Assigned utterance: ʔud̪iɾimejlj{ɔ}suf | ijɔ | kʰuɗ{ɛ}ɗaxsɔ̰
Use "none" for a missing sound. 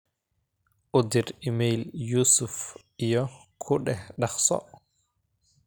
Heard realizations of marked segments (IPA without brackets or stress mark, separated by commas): u, ɛ